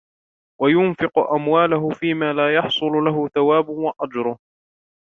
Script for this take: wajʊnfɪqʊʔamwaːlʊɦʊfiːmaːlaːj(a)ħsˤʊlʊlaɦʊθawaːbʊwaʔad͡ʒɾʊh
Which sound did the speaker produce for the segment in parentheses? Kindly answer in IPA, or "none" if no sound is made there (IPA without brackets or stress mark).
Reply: ɑ